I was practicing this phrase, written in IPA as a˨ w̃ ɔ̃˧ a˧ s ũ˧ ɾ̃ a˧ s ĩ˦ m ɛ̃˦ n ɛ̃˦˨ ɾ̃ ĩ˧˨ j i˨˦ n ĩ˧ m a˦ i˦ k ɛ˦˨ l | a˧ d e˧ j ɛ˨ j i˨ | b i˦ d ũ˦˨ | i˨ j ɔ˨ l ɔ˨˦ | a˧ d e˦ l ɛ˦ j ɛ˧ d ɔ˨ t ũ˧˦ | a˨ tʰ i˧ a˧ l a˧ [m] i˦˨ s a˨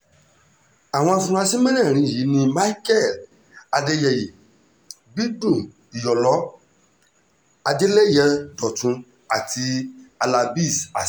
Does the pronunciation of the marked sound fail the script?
yes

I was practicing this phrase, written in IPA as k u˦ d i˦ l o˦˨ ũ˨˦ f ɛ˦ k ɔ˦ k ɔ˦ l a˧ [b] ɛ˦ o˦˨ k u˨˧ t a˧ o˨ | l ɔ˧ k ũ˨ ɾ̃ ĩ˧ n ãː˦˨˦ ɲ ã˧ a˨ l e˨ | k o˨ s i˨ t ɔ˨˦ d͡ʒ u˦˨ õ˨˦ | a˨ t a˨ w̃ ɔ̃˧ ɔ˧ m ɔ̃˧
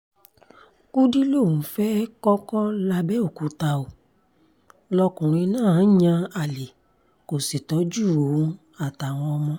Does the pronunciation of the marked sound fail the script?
no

